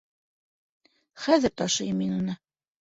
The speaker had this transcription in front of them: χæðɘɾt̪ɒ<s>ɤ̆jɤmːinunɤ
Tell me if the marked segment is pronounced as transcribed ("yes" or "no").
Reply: no